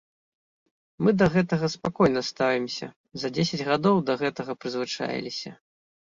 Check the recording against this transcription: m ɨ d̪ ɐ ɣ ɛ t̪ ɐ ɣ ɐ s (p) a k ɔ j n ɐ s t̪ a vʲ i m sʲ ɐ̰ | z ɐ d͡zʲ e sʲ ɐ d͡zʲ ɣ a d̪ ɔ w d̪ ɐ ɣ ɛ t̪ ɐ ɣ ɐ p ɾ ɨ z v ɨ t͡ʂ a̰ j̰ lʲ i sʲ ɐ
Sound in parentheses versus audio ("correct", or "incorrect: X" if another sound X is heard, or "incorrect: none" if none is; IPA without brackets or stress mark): correct